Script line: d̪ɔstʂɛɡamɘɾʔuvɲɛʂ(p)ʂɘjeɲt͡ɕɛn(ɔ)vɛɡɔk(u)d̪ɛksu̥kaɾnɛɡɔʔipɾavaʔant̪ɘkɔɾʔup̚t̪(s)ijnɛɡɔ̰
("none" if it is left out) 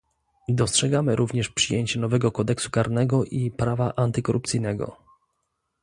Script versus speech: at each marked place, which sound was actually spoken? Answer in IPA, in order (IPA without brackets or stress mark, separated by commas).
p, ɔ, ɔ, s